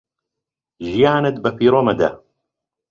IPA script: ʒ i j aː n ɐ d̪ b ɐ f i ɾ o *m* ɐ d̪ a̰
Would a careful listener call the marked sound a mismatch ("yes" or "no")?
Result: no